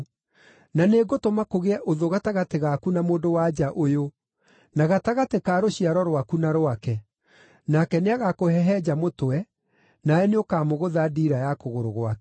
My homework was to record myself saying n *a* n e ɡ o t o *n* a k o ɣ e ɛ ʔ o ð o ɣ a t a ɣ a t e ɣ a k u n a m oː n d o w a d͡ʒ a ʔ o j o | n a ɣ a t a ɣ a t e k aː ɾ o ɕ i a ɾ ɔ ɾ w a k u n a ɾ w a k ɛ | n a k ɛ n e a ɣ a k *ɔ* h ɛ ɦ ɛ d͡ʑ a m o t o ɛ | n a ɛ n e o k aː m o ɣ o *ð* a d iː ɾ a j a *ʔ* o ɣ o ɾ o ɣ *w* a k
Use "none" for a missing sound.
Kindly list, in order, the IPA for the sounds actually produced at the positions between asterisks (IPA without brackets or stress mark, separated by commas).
a, m, o, ð, k, w